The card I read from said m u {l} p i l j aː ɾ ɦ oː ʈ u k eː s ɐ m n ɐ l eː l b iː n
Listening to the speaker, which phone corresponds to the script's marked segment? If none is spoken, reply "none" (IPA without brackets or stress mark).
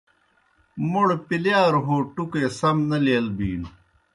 ɽ